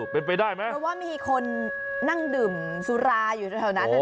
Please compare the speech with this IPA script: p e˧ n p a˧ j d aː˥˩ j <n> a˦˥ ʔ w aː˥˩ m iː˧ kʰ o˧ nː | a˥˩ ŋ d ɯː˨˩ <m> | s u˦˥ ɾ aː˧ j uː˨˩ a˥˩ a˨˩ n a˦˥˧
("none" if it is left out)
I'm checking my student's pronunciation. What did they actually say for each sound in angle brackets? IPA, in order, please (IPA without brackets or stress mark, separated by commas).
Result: m, m